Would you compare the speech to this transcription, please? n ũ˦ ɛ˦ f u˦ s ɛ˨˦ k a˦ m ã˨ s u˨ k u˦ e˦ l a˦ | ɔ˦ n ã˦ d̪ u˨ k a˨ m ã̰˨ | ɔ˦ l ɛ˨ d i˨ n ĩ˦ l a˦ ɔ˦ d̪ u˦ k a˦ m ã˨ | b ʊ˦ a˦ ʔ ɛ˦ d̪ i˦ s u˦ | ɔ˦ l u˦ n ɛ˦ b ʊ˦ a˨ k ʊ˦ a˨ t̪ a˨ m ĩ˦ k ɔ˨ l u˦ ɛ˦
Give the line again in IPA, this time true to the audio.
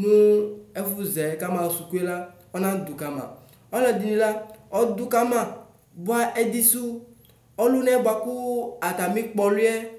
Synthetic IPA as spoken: n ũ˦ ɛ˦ f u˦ z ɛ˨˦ k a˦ m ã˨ s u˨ k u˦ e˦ l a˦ | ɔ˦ n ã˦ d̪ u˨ k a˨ m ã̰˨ | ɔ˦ l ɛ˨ d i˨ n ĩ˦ l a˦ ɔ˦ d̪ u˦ k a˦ m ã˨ | b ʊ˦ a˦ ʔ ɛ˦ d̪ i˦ s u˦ | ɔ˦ l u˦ n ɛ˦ b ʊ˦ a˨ k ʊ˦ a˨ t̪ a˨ m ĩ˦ k͡p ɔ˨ l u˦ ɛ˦